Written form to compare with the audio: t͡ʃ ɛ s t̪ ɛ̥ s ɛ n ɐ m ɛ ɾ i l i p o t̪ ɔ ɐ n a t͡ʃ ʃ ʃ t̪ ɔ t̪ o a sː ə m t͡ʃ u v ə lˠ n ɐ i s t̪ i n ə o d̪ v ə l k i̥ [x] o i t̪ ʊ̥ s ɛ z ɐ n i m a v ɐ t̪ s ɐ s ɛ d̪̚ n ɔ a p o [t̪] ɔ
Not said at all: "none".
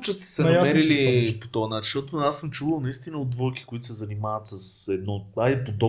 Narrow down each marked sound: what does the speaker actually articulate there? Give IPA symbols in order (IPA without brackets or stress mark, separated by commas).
k, d̪